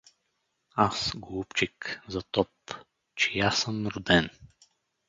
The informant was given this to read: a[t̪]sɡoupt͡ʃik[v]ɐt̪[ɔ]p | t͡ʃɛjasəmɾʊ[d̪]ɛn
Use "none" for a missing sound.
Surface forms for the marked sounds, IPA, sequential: none, z, ɔ, d̪

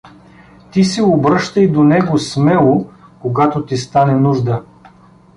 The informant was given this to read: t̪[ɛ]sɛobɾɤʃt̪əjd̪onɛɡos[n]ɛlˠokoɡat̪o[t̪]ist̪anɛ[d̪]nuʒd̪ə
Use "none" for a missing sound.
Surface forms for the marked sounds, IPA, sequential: i, m, t̪, none

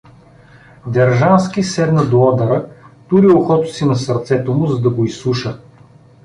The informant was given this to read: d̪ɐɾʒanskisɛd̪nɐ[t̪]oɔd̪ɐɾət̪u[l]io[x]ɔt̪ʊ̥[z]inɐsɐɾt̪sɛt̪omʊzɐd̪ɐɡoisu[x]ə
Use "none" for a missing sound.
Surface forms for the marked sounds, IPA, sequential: d̪, ɾ, x, s, ʃ

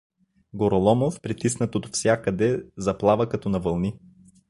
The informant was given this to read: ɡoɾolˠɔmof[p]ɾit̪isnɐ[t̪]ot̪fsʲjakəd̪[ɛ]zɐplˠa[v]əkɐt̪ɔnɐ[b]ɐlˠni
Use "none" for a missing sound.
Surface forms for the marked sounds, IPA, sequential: p, t̪, ɛ, v, v

